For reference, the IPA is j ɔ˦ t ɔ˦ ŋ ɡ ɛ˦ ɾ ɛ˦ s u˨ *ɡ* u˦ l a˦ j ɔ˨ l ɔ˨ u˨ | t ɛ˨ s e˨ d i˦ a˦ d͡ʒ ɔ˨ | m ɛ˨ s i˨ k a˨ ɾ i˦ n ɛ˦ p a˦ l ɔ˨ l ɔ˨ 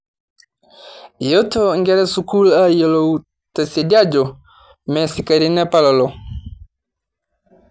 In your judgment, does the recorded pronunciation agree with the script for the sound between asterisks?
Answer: no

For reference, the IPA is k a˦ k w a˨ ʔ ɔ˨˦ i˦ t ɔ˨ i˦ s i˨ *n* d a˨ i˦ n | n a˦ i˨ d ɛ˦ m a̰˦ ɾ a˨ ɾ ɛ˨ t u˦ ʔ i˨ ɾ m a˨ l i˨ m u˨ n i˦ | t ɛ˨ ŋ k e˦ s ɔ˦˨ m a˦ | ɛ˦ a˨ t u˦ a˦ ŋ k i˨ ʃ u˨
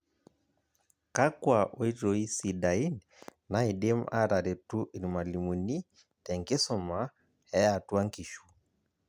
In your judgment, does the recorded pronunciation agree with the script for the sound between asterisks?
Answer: no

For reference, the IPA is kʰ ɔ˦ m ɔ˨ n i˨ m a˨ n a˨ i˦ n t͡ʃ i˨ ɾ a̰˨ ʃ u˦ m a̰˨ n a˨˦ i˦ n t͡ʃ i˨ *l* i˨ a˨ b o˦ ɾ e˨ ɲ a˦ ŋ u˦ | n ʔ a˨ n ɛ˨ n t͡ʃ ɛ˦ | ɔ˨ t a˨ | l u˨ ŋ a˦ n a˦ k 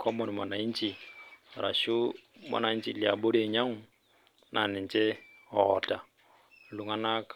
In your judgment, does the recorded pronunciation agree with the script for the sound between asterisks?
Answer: yes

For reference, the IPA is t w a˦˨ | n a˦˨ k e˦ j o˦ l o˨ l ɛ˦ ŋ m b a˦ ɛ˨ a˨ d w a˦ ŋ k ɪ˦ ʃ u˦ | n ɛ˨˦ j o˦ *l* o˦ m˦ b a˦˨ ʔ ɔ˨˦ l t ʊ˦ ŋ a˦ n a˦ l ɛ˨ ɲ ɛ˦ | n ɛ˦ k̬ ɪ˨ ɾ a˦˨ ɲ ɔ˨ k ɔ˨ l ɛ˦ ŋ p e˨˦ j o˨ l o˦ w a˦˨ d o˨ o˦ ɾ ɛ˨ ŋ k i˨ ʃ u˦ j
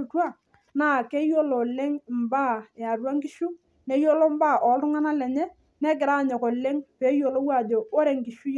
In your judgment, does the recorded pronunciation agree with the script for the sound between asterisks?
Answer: yes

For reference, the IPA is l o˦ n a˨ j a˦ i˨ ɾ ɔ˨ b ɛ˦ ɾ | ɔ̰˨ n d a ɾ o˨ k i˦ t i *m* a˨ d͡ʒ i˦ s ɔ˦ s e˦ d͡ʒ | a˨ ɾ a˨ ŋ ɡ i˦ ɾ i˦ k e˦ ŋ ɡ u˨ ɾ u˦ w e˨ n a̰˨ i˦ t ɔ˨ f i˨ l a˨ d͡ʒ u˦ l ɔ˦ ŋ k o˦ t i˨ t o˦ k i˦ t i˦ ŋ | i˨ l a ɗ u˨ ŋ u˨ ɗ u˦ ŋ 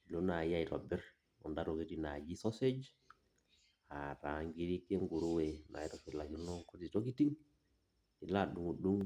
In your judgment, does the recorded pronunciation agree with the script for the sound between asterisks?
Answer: no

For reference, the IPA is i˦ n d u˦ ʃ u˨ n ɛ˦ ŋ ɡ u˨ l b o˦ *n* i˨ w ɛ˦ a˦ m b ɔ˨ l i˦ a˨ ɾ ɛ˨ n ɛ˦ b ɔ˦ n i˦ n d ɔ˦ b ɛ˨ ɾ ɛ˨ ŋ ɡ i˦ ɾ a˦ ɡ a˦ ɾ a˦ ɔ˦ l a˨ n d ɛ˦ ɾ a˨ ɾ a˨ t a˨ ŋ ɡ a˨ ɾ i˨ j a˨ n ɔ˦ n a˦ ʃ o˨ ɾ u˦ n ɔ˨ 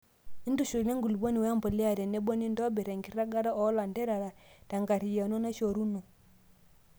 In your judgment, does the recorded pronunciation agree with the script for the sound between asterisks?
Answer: yes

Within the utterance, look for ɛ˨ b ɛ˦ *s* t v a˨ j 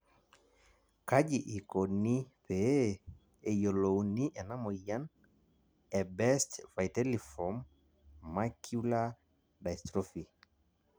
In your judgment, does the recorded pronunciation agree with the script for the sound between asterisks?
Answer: yes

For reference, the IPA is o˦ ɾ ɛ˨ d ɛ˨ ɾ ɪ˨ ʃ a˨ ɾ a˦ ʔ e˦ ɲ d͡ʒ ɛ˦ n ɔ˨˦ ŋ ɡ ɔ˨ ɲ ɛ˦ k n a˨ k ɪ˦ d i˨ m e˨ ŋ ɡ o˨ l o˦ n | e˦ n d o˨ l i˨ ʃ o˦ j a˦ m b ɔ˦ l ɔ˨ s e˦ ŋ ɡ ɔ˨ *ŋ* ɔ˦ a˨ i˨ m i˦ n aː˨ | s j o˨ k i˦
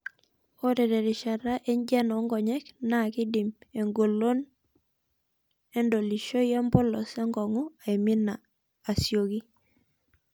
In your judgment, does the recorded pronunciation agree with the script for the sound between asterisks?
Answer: yes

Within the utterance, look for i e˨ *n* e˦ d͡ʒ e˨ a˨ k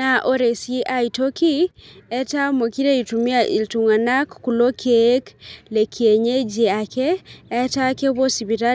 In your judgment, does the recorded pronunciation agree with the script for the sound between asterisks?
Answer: no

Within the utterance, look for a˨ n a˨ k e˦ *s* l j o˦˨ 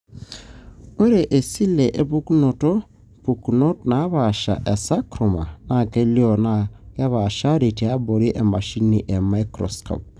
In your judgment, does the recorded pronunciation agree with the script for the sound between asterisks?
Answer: no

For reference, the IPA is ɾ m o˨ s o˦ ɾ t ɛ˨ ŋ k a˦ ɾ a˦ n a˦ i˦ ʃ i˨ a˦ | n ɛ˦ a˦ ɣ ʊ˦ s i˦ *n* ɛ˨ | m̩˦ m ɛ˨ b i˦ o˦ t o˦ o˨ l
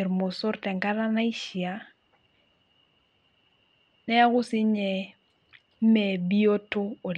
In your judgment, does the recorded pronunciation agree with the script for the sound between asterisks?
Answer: no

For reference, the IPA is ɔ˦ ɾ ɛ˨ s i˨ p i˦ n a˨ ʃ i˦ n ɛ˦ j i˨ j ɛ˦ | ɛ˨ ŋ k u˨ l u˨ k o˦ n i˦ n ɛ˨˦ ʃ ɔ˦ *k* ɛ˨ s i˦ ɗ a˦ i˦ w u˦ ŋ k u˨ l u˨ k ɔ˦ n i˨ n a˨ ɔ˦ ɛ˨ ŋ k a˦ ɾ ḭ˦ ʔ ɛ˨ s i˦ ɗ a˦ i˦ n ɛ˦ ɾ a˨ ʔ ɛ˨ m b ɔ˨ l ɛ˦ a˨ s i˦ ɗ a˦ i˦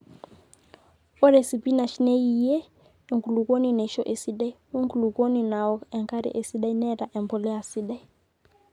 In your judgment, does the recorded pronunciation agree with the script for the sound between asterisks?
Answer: no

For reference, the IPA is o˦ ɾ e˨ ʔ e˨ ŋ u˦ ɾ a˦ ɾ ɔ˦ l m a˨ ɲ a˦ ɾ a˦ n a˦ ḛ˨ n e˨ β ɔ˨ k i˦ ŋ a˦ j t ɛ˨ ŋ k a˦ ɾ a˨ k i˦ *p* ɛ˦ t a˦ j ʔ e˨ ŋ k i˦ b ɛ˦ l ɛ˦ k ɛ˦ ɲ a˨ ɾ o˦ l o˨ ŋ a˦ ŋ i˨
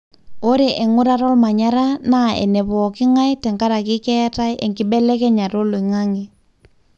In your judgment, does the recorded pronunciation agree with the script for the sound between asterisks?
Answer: no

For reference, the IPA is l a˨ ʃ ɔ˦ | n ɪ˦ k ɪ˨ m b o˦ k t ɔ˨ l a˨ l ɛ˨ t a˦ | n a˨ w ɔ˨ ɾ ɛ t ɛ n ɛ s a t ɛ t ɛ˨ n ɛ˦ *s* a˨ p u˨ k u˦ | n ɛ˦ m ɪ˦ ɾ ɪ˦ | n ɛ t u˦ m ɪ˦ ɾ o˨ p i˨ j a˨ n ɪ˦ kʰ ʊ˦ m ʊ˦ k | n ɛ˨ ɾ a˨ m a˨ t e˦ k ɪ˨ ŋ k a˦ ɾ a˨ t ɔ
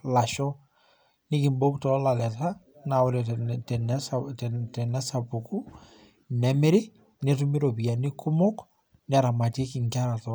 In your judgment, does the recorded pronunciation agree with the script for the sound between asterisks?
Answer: yes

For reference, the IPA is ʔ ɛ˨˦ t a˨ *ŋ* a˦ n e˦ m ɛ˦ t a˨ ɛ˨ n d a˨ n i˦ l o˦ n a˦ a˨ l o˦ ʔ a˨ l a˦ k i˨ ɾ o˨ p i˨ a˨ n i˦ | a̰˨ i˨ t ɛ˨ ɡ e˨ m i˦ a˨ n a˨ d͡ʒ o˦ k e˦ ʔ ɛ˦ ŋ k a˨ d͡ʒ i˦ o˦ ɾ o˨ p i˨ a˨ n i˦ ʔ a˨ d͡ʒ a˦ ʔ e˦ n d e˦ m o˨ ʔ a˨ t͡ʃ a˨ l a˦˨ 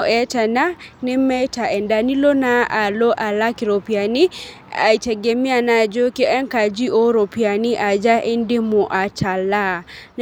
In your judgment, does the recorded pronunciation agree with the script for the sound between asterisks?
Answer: no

